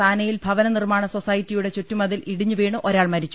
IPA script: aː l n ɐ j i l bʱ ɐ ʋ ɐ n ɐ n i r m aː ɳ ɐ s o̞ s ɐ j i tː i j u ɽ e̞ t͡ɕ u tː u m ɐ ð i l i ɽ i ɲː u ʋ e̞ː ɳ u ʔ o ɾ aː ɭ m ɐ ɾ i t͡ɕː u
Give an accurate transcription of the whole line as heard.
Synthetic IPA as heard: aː n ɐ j i l bʱ ɐ ʋ ɐ n ɐ n i r m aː ɳ ɐ s o̞ s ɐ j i tː i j u ɽ e̞ t͡ɕ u tː u m ɐ ð i l i ɽ i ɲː u ʋ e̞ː ɳ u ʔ o ɾ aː ɭ m ɐ ɾ i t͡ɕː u